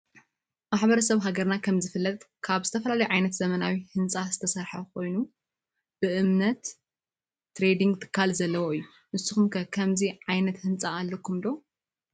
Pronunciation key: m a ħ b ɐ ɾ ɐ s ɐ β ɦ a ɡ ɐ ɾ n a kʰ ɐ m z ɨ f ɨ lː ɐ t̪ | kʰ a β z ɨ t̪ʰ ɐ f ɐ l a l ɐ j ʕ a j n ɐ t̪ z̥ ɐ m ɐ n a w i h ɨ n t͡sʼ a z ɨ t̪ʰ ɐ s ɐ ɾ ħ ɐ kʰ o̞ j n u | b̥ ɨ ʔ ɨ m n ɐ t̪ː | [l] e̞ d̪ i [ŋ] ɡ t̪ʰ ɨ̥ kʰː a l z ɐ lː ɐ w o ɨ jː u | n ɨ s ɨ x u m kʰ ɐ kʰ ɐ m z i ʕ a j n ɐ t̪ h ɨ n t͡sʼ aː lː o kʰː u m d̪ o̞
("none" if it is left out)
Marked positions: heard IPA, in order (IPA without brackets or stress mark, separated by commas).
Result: ɾ, ŋ